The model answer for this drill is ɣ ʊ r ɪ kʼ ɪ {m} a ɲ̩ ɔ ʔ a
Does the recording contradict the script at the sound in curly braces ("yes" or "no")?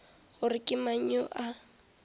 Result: no